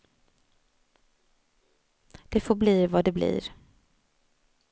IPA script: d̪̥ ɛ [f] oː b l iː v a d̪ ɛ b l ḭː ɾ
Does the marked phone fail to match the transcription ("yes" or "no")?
no